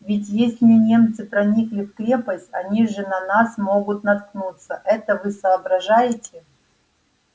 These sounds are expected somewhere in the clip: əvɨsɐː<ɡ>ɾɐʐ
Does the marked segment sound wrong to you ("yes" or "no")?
yes